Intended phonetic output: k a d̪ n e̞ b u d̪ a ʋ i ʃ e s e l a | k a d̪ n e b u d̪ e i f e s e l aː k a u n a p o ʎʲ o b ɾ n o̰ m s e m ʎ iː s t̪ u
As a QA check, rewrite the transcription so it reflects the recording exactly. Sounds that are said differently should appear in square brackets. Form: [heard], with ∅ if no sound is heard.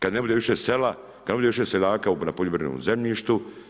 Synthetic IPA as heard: k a d̪ n e̞ b u d̪ [e] ʋ i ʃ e s e l a | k a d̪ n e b u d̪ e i [ʃ] e s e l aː k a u n a p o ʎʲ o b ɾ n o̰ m [z] e m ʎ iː [ʃ] t̪ u